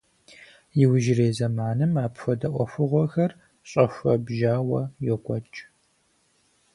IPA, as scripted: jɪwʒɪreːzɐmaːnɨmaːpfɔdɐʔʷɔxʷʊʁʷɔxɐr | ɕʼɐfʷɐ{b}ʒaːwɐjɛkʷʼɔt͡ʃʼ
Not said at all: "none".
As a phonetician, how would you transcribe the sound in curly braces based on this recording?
b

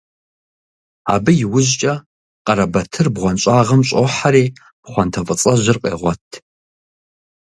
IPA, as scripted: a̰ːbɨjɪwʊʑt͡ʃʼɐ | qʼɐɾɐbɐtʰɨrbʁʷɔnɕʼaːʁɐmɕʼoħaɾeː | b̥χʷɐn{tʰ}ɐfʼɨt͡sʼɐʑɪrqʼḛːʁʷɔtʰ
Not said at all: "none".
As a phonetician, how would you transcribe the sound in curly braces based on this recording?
tʰ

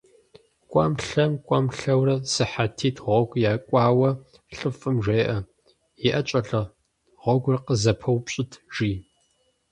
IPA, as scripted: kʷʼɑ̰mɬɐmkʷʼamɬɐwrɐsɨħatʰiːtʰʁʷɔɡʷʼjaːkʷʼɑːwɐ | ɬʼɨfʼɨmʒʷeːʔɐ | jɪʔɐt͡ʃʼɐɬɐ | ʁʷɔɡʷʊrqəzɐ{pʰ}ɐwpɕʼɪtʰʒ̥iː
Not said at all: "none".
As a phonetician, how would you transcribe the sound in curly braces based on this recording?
pʰ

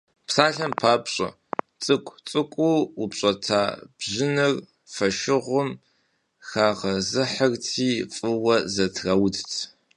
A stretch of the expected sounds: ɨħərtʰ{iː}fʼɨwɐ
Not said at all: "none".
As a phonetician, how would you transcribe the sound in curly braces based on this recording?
iː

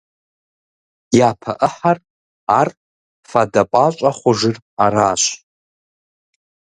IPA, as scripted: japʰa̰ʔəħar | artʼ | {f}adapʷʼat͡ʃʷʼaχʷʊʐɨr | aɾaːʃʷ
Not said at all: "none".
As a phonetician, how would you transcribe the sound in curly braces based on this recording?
f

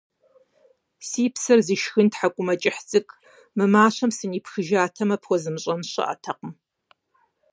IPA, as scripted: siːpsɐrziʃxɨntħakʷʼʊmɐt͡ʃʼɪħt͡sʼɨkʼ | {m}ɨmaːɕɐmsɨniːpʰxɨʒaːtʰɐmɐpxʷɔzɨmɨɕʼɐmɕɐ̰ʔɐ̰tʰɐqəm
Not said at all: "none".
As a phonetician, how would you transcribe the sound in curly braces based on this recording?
m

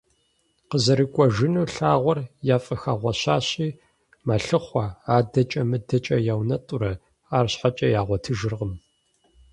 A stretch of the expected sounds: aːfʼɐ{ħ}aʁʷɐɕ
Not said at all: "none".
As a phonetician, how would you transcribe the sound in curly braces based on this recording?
x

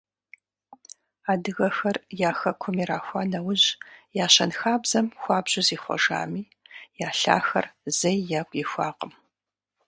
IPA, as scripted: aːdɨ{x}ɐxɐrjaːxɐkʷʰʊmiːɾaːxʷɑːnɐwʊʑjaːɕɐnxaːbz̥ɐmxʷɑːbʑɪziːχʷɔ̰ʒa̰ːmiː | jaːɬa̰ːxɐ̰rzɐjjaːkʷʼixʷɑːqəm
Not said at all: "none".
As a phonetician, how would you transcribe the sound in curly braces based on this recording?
ɣ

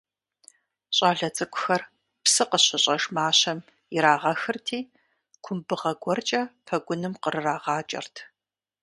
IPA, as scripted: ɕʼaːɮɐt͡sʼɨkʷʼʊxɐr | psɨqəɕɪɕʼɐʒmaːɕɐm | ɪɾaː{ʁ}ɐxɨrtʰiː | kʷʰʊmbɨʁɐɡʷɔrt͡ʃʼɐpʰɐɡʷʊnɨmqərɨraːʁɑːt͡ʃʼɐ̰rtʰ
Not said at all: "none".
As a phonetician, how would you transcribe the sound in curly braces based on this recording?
ʁ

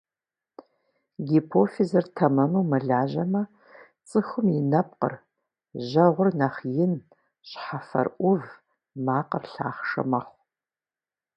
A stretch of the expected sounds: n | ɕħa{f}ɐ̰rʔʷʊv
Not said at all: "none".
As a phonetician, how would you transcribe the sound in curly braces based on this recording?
f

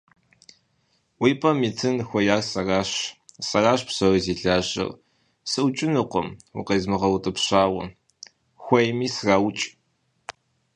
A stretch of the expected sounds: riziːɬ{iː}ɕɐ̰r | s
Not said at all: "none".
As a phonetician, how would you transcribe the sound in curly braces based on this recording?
aː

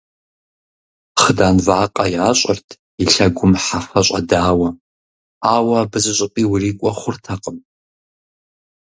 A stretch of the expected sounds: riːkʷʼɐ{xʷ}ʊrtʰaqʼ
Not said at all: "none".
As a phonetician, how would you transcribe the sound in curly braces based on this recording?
χʷ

